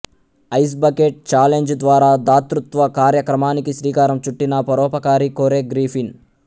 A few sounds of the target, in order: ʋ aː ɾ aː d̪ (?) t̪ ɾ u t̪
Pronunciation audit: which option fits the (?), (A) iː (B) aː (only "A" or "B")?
B